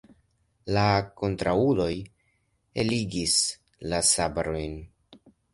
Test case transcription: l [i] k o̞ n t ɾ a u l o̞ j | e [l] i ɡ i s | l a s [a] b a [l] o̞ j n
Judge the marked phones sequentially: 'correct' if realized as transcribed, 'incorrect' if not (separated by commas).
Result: incorrect, correct, correct, incorrect